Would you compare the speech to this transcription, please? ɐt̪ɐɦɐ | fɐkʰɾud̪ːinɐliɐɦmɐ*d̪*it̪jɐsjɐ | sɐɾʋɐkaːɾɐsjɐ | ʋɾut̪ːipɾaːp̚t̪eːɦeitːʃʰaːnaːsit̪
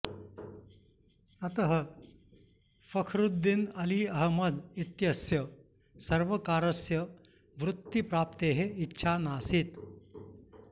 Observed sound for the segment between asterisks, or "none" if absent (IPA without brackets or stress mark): d̪